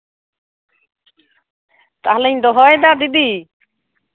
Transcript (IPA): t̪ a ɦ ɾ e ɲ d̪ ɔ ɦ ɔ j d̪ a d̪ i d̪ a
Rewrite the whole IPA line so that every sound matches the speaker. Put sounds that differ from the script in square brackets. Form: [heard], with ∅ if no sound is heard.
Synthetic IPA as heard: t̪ a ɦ [l] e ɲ d̪ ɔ ɦ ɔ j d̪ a d̪ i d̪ [i]